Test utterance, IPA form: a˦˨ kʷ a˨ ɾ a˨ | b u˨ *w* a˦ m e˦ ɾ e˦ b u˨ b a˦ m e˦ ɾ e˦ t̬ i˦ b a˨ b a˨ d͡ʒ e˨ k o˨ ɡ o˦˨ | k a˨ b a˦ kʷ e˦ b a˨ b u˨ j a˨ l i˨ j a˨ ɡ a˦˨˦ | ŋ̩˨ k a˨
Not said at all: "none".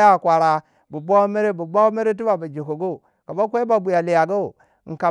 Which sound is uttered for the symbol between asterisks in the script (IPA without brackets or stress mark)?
b